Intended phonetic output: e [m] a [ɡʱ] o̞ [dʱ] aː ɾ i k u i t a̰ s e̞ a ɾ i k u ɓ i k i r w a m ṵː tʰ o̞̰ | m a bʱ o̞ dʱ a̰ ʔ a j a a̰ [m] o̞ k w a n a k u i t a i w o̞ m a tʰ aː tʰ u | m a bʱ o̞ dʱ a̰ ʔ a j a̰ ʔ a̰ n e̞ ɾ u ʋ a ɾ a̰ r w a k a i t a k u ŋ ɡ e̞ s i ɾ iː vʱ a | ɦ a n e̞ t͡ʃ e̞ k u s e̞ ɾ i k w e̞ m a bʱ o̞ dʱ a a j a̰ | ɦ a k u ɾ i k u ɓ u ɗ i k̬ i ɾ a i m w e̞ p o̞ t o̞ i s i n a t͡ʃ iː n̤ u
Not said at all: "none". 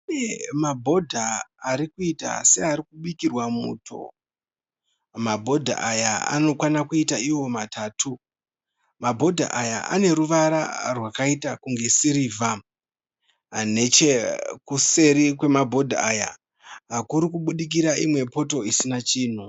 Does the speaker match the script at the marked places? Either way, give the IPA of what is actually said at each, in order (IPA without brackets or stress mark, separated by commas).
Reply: m, bʱ, dʱ, n